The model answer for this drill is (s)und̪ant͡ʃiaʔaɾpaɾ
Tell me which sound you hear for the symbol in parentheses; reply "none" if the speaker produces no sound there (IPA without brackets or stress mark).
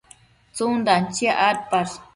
t͡s